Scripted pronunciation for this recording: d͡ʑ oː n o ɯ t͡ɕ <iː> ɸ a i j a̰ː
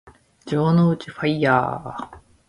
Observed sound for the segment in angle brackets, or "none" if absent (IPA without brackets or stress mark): i